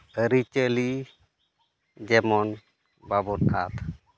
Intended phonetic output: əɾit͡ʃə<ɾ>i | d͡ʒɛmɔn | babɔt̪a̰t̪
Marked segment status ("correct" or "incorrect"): incorrect